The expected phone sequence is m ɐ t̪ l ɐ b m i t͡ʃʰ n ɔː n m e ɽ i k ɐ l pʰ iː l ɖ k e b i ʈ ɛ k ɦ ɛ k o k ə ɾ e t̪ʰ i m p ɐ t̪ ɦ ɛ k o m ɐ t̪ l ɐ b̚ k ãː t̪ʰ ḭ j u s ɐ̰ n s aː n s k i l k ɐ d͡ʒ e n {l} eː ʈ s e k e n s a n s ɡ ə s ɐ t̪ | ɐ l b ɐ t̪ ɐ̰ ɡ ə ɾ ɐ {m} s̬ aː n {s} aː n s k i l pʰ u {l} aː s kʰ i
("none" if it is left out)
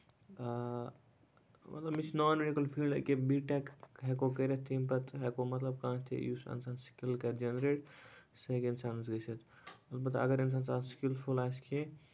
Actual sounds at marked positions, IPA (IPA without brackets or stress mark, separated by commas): ɾ, n, s, l